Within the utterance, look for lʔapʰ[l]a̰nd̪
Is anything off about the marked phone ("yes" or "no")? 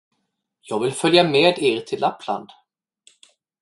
no